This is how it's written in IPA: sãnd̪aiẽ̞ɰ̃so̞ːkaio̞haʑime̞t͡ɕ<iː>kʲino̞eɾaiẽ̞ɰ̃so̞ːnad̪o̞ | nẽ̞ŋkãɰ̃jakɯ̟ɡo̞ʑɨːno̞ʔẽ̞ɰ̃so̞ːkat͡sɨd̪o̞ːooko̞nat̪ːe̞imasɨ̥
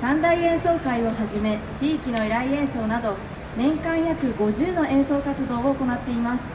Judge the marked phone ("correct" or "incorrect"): correct